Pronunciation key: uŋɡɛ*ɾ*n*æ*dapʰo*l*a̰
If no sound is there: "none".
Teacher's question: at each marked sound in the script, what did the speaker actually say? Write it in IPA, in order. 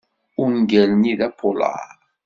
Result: l, i, l

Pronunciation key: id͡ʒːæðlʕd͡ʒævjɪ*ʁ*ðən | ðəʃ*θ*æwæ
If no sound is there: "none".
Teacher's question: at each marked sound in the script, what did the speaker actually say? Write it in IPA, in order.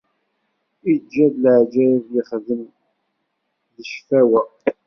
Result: χ, f

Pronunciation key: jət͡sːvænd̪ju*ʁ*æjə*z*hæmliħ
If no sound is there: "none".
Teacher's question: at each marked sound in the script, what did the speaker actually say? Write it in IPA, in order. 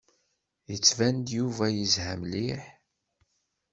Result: v, z

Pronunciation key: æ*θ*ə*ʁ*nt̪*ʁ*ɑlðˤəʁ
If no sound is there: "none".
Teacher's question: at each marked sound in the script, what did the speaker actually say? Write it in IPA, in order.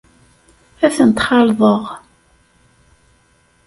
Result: θ, none, χ

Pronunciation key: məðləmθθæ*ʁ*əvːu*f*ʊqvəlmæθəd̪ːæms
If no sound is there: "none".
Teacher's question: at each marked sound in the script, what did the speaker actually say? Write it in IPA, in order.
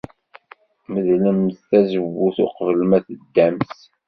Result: z, θ

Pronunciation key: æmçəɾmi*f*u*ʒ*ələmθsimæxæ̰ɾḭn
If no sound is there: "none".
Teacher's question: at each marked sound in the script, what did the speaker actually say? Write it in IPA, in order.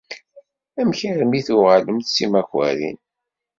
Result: θ, ʁ

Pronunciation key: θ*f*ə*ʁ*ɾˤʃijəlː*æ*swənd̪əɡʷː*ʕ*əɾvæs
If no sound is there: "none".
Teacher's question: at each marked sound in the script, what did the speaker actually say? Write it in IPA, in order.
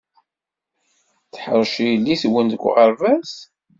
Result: ħ, none, i, ʁ

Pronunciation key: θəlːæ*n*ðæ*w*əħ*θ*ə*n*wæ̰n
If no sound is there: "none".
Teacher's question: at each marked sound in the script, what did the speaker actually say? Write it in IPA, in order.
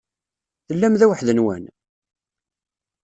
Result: m, w, ð, n

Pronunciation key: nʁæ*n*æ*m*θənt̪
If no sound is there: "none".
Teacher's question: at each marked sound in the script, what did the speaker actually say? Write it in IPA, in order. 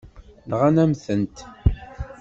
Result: n, m

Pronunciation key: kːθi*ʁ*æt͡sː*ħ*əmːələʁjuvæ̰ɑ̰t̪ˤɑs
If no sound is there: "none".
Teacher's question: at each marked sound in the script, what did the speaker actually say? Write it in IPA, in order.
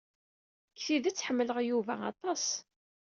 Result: ð, ħ

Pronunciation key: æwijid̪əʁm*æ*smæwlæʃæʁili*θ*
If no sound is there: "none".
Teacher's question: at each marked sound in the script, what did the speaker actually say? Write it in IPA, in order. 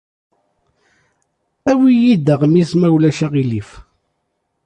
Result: i, f

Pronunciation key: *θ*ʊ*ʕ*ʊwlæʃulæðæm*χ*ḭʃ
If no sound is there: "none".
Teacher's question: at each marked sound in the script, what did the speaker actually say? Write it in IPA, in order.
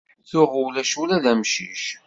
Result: θ, ʁ, ʃ

